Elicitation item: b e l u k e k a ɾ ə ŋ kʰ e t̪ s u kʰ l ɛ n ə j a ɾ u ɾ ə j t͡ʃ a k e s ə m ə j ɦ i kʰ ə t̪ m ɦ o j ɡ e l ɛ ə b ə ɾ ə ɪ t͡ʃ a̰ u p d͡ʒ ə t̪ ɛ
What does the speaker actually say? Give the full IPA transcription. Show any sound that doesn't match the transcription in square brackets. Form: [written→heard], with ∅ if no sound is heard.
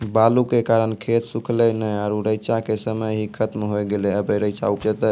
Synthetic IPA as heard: b [e→a] l u k e k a ɾ ə [ŋ→n] kʰ e t̪ s u kʰ l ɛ n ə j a ɾ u ɾ ə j t͡ʃ a k e s ə m ə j ɦ i kʰ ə t̪ m ɦ o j ɡ e l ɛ ə b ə ɾ ə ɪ t͡ʃ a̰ u p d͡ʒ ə t̪ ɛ